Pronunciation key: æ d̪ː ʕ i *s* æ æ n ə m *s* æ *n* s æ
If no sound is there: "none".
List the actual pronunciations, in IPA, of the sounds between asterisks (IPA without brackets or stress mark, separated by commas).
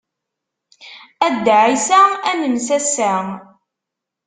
s, s, none